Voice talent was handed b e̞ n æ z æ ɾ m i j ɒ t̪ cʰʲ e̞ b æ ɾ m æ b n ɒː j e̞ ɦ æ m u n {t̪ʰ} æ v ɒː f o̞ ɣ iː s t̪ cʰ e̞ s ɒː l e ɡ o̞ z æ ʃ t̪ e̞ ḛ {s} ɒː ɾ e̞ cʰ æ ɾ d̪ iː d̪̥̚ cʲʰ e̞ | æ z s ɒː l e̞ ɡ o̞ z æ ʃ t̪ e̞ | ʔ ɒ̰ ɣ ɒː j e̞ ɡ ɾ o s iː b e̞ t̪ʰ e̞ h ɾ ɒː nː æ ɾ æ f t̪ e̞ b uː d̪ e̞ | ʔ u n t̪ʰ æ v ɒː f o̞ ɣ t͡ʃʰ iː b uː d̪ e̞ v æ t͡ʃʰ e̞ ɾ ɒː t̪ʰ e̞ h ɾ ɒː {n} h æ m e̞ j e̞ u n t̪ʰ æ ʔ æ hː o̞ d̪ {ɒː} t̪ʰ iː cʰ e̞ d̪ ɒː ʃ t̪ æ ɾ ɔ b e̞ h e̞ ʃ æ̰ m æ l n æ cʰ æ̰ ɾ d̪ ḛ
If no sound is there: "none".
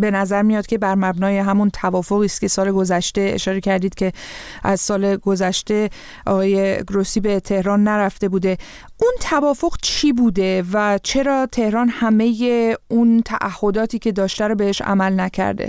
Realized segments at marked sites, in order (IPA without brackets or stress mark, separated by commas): t̪ʰ, ʃ, n, ɒː